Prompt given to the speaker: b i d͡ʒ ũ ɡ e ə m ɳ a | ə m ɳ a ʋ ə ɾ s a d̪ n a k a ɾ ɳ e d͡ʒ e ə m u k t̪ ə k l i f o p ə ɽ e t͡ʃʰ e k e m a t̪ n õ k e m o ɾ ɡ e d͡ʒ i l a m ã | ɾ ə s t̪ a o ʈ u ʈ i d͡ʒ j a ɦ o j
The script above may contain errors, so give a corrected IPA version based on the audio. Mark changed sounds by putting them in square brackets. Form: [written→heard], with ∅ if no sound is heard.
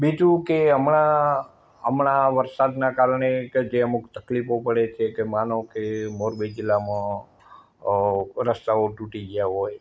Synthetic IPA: b i d͡ʒ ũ [ɡ→k] e ə m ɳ a | ə m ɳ a ʋ ə ɾ s a d̪ n a k a ɾ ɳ e d͡ʒ e ə m u k t̪ ə k l i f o p ə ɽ e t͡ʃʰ e k e m a [t̪→∅] n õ k e m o ɾ [ɡ→b] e d͡ʒ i l a m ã | ɾ ə s t̪ a o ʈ u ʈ i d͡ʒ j a ɦ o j